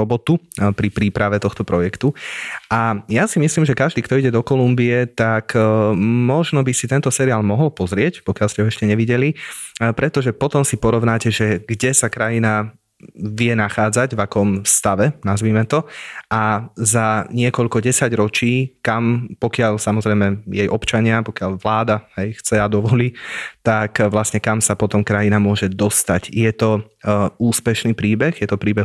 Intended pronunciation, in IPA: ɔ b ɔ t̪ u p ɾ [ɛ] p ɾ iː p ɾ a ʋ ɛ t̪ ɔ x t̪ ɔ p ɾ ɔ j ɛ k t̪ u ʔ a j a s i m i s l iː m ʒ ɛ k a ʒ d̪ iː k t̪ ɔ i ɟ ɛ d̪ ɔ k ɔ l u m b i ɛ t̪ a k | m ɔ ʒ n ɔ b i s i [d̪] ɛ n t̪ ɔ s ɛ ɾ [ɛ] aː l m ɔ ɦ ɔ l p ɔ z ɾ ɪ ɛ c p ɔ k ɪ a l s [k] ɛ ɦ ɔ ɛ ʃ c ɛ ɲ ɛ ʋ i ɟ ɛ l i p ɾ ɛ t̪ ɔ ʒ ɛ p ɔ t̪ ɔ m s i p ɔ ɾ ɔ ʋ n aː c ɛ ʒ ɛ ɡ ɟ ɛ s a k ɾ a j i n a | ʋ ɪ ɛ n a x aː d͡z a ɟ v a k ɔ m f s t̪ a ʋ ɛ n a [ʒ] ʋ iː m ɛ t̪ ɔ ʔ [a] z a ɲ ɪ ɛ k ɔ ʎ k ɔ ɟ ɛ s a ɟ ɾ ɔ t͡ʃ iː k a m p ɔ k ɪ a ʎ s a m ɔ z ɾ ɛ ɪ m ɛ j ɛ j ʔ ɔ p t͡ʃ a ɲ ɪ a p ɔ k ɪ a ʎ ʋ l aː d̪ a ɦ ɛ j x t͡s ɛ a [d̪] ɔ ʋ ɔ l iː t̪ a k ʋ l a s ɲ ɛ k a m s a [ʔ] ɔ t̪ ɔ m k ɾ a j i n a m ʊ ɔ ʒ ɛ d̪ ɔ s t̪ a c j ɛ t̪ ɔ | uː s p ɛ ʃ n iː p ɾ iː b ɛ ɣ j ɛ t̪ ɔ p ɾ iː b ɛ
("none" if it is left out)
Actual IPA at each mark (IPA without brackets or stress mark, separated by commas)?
i, t̪, i, c, z, a, d̪, p